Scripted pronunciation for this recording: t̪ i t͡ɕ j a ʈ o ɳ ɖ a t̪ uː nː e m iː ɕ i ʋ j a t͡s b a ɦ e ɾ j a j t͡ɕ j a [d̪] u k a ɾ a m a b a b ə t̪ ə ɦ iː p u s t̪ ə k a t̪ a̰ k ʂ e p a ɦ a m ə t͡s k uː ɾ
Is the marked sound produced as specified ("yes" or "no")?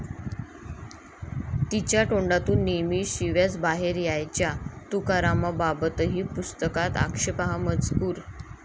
no